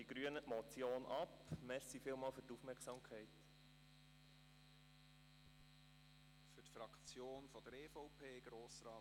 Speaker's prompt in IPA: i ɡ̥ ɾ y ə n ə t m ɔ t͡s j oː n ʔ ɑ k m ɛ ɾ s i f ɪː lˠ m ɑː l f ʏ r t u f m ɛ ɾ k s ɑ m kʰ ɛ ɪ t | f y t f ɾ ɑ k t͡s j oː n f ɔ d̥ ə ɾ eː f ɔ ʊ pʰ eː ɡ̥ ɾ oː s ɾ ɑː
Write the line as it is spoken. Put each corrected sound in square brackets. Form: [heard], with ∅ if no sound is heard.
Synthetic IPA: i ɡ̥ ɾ y ə n ə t m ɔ t͡s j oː n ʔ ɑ [p] m ɛ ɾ s i f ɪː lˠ m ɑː l f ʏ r t u f m ɛ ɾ k s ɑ m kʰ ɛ ɪ t | f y t f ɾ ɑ k t͡s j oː n f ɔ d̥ ə ɾ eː f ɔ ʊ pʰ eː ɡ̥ ɾ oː s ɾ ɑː